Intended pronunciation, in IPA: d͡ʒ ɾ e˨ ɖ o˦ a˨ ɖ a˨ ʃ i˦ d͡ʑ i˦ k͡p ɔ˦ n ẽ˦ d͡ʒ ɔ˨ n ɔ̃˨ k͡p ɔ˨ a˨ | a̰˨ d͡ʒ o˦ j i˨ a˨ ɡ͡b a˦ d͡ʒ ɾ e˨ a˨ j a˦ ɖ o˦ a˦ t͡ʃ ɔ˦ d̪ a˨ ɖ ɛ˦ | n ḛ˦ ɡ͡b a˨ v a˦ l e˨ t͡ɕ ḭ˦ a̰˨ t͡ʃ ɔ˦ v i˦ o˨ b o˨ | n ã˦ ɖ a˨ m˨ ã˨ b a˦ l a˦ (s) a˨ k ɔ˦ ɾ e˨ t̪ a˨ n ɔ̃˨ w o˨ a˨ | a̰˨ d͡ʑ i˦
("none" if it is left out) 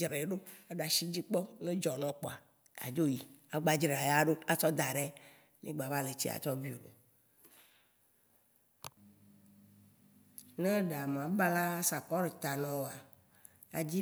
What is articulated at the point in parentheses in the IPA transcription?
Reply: s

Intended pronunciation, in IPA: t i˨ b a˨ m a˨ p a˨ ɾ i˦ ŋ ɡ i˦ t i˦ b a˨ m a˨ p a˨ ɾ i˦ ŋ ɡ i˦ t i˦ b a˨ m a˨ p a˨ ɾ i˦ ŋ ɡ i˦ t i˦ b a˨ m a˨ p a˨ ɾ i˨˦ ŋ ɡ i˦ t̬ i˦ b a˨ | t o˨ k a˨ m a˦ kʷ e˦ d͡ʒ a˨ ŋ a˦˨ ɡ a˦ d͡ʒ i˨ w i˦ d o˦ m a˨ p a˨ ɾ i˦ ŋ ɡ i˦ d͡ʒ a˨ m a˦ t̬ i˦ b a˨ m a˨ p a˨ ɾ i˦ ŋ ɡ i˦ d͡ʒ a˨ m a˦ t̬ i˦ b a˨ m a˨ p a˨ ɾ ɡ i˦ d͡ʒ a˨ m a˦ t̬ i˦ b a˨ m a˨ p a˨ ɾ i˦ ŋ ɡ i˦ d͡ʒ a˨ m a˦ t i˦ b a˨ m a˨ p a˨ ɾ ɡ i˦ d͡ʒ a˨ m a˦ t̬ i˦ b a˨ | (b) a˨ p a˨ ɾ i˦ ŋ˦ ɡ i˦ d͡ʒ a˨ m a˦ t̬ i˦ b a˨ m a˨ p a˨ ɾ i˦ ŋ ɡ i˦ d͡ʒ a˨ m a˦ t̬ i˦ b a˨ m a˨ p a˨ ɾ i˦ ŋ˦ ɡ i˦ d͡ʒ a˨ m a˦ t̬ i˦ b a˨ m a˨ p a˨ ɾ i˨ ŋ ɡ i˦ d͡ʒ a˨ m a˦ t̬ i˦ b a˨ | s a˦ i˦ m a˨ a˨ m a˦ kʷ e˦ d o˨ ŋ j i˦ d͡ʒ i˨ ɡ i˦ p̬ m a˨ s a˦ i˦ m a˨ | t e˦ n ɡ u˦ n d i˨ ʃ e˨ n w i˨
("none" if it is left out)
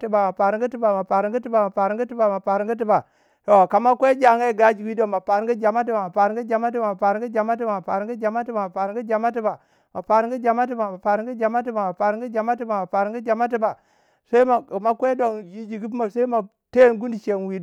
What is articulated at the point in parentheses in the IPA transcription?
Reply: m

